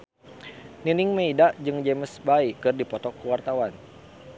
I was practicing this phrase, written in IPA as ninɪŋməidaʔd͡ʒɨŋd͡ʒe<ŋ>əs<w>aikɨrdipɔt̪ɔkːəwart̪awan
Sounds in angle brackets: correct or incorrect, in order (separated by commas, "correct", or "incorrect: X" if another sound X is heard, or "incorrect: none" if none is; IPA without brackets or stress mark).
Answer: incorrect: m, incorrect: b